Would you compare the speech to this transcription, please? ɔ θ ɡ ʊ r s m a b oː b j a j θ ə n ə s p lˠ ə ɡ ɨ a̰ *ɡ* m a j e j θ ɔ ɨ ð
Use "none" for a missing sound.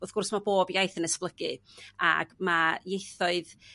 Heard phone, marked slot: ɡ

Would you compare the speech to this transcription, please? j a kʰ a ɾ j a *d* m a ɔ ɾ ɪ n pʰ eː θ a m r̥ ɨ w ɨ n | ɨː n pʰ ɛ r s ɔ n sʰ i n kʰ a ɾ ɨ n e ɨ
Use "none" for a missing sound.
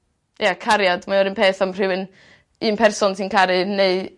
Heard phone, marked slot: d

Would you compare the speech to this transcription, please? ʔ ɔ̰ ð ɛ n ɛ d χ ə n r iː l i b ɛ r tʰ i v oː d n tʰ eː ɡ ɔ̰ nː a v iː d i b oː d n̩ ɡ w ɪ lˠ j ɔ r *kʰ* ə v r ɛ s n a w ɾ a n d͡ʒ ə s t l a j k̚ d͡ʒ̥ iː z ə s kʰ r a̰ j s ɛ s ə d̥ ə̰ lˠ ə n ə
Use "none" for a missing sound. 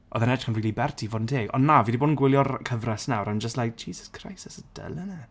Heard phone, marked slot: kʰ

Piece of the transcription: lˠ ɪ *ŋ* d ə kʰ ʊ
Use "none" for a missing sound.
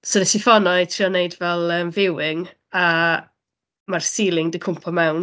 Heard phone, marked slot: ŋ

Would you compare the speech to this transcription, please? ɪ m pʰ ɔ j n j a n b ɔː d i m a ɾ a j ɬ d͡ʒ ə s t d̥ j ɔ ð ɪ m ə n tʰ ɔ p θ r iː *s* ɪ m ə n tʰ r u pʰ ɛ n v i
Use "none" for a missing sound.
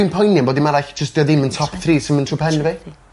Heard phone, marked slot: s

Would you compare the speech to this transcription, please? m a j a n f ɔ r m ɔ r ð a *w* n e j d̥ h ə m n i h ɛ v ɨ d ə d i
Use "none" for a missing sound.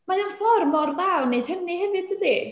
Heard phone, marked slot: w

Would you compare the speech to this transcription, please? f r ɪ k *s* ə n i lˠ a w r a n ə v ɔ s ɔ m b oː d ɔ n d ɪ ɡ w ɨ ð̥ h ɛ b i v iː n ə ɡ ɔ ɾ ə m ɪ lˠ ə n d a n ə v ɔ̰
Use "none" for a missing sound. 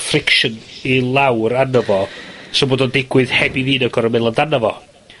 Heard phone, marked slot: ʃ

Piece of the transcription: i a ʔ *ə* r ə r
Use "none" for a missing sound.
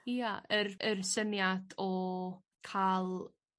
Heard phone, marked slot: ə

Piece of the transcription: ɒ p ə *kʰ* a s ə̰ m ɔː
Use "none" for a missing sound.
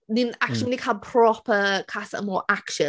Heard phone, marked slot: kʰ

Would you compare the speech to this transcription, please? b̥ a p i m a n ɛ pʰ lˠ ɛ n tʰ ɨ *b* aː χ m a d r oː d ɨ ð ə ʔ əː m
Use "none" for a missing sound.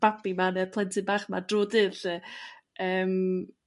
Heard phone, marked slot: b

